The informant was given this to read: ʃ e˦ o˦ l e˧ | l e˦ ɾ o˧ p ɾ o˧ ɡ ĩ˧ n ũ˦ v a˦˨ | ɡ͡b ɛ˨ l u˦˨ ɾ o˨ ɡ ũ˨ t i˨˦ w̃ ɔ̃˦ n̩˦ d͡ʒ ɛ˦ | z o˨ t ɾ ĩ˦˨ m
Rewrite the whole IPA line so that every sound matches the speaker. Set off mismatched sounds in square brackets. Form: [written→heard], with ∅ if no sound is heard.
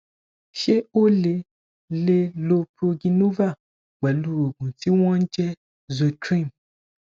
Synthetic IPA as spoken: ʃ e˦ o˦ l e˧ | l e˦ [ɾ→l] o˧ p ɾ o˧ ɡ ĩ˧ n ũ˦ v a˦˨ | ɡ͡b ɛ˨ l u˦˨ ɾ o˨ ɡ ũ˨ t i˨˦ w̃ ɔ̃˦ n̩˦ d͡ʒ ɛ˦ | z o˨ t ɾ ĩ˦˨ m